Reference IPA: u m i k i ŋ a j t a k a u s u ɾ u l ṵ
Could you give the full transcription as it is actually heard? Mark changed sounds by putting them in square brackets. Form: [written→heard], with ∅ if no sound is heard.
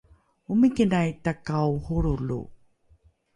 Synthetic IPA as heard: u m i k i [ŋ→n] a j t a k a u [s→h] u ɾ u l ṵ